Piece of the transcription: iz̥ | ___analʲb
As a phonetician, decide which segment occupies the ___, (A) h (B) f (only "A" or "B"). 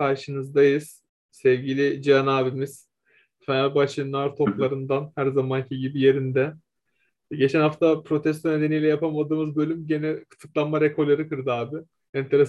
B